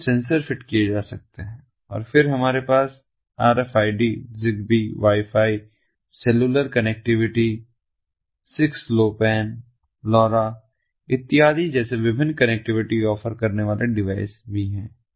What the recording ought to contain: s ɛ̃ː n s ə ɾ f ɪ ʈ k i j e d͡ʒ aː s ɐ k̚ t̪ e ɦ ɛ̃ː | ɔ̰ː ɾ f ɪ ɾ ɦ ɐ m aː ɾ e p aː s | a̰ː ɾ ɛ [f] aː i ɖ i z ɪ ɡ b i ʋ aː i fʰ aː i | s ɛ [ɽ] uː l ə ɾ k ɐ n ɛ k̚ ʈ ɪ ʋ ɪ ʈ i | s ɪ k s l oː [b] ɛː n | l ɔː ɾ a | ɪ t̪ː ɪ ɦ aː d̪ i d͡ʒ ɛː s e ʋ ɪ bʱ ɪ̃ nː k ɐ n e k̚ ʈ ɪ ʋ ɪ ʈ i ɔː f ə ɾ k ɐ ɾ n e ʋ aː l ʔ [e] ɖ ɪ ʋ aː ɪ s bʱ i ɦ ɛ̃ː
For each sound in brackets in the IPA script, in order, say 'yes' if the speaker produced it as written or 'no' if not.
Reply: yes, no, no, yes

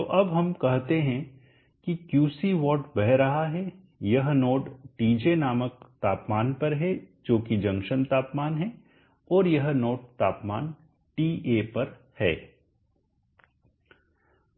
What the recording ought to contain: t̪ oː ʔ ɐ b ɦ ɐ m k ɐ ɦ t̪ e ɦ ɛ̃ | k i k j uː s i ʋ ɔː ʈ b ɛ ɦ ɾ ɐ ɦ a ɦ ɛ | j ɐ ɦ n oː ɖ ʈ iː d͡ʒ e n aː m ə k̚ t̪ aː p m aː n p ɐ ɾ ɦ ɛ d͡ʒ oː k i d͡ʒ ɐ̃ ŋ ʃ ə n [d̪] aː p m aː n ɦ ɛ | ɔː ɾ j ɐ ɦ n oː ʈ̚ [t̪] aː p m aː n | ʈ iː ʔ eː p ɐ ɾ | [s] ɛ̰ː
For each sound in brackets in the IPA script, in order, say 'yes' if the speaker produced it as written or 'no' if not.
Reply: no, yes, no

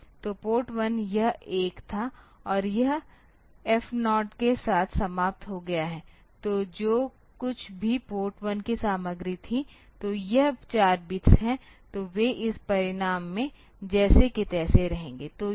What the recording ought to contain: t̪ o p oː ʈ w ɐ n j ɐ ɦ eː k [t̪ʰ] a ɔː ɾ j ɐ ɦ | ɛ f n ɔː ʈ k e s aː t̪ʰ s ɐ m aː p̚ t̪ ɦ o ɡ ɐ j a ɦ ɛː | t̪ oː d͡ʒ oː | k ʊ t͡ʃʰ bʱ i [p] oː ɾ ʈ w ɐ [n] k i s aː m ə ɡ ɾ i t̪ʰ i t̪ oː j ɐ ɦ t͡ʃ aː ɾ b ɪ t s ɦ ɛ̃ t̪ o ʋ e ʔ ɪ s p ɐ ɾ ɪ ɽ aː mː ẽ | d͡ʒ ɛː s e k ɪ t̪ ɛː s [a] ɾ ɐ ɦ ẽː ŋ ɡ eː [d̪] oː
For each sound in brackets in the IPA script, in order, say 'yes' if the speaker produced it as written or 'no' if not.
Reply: yes, yes, yes, no, no

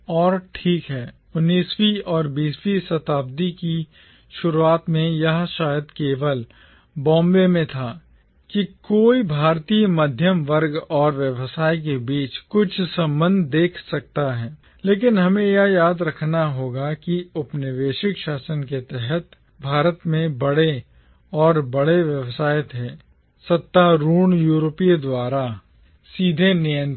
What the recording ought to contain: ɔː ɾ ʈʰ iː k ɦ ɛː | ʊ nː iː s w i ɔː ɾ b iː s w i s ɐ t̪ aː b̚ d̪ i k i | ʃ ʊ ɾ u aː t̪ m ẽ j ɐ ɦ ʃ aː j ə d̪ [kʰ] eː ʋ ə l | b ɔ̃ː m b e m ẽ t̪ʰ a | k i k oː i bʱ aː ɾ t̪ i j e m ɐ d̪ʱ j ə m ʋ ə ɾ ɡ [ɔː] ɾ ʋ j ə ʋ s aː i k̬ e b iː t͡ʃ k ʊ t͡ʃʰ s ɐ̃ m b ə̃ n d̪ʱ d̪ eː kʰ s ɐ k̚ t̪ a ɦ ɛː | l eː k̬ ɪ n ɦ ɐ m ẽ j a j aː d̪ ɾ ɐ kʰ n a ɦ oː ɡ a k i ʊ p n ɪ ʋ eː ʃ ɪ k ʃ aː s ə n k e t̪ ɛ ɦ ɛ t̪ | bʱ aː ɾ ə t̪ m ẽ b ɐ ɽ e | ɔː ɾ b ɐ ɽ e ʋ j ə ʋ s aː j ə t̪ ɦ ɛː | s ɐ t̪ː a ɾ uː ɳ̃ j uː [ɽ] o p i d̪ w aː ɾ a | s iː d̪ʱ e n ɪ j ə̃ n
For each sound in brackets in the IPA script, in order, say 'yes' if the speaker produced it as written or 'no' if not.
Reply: no, yes, no

